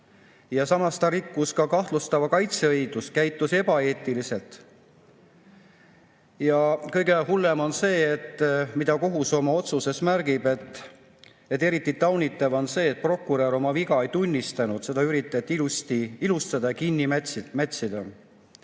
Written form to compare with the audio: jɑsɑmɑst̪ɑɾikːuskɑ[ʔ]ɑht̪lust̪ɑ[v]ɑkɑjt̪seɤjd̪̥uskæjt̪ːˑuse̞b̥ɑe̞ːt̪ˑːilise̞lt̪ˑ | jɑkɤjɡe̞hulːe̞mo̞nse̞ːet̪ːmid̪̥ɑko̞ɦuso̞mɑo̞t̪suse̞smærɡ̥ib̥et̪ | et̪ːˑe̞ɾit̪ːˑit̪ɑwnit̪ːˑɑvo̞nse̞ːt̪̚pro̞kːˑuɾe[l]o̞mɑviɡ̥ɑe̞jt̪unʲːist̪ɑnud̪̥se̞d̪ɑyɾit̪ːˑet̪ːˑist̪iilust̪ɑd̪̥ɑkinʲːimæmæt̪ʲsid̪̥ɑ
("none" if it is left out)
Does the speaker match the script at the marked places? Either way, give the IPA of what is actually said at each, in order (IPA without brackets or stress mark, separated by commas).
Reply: k, v, ɾ